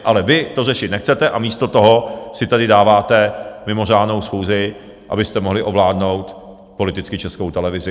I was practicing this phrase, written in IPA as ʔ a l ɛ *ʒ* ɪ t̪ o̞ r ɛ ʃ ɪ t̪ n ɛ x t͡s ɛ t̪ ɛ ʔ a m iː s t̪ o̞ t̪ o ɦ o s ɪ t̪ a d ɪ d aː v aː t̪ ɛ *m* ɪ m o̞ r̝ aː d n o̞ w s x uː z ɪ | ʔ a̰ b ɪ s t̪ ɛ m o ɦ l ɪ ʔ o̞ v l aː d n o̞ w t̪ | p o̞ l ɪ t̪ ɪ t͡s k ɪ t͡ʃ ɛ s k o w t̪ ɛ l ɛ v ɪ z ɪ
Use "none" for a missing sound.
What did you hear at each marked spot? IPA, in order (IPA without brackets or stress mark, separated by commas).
v, m